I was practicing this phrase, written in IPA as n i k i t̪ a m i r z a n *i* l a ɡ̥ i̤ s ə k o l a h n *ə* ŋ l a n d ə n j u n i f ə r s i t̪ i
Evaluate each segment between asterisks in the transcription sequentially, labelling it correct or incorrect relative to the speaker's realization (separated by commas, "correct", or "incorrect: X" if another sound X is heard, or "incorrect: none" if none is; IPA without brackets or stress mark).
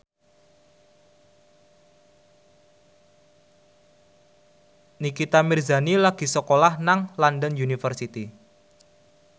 correct, incorrect: a